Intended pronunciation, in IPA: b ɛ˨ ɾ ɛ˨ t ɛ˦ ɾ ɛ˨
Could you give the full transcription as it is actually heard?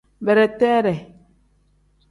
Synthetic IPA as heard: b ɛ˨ ɾ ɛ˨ t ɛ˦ ɾ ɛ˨